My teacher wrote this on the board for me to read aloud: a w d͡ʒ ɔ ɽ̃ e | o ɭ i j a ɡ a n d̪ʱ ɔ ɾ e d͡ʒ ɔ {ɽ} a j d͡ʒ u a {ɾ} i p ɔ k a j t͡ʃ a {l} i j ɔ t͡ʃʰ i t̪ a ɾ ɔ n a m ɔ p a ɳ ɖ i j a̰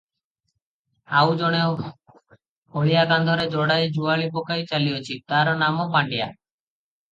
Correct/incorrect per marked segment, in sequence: correct, incorrect: ɭ, correct

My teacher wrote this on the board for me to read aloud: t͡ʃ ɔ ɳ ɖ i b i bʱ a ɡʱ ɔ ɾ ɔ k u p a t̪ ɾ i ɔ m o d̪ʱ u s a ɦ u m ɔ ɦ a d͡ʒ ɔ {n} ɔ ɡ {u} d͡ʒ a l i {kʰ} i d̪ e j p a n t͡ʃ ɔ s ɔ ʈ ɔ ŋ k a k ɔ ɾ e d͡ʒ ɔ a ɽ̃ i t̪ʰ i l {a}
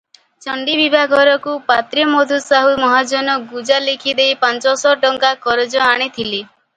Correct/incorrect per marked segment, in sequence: correct, correct, correct, incorrect: i

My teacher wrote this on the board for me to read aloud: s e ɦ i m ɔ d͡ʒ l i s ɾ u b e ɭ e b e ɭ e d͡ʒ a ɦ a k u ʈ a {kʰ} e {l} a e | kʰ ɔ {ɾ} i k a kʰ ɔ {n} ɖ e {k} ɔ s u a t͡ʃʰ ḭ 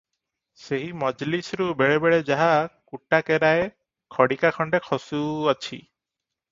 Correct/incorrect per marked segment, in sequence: incorrect: k, incorrect: ɾ, incorrect: ɽ, incorrect: ɳ, incorrect: kʰ

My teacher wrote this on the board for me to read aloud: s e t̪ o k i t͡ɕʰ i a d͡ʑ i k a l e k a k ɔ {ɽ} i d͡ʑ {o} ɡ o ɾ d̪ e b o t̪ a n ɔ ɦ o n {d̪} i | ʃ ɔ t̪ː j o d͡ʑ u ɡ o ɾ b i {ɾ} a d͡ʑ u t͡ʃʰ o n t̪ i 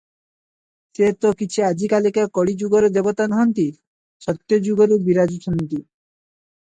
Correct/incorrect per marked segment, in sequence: correct, incorrect: u, incorrect: t̪, correct

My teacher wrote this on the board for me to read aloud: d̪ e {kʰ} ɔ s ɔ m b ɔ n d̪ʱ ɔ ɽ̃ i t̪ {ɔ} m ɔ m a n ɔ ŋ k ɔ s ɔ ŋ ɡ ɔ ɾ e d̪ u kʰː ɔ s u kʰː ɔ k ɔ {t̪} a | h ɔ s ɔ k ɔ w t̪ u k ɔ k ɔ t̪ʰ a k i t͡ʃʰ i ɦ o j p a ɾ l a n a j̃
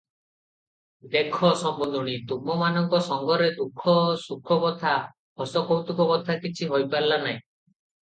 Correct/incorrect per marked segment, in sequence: correct, incorrect: u, incorrect: t̪ʰ

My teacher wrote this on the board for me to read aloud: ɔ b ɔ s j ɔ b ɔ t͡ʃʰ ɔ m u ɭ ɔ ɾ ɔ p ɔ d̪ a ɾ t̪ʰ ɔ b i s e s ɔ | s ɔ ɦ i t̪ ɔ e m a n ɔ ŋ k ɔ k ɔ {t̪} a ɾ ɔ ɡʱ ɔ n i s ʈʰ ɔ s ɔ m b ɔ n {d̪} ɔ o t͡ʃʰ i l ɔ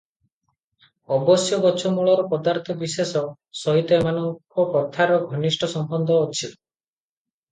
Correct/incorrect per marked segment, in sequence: incorrect: t̪ʰ, correct

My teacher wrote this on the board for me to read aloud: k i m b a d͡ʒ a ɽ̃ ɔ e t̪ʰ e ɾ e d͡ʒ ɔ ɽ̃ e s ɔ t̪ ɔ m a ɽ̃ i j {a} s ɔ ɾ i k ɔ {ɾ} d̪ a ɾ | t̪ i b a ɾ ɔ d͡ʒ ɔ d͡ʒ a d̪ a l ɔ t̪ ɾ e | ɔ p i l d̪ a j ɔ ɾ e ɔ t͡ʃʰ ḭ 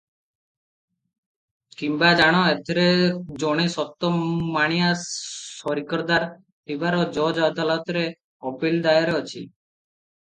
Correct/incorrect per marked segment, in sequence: correct, correct

